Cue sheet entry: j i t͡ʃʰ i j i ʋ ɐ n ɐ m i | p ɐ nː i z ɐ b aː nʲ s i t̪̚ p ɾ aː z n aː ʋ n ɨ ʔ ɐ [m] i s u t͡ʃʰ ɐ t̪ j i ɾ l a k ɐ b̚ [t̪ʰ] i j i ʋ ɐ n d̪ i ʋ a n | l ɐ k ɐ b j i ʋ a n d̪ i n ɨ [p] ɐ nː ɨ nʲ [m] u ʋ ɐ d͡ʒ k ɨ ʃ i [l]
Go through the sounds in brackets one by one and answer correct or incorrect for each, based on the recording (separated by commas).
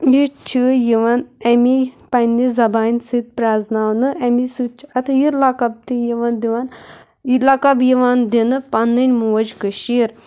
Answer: correct, incorrect, correct, correct, incorrect